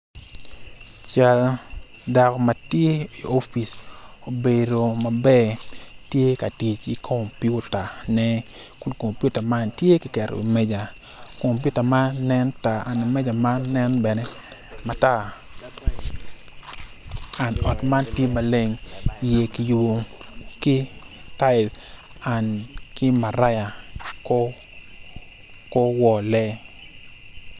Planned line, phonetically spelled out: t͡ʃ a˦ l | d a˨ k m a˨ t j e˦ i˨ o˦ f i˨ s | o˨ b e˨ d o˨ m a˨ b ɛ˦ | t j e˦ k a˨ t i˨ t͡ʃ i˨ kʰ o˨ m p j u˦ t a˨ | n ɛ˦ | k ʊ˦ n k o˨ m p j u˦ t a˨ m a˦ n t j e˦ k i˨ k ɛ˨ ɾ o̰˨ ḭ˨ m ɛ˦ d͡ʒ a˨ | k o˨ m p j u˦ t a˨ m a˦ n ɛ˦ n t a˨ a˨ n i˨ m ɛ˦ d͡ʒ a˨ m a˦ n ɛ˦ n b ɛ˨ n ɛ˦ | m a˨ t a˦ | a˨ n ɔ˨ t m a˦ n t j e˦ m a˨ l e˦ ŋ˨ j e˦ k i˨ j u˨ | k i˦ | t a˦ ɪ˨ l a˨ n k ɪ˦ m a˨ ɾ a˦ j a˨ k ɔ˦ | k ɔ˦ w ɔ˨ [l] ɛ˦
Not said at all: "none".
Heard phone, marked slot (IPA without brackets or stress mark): l